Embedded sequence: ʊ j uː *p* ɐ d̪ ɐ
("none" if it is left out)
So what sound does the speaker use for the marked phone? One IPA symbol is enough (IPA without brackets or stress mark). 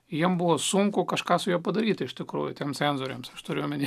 p